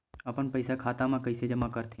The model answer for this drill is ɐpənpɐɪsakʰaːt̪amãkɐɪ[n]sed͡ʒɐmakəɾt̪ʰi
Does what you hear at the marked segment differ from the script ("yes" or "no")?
yes